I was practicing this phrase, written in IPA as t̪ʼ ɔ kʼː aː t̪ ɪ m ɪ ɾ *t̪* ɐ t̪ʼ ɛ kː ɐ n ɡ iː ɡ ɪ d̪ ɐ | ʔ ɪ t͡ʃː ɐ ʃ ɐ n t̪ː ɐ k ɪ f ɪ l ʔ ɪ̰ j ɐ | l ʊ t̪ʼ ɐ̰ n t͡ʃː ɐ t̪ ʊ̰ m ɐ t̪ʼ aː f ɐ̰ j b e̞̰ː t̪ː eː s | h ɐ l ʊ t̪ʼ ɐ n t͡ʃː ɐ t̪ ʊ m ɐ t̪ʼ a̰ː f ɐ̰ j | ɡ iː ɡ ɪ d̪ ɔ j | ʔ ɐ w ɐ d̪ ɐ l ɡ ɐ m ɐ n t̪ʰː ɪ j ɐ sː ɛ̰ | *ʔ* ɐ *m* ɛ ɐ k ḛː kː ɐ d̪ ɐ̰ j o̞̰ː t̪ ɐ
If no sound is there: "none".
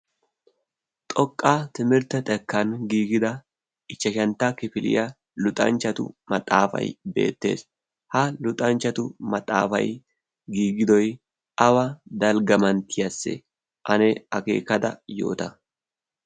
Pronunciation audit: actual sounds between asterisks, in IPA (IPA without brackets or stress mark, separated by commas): t̪, ʔ, n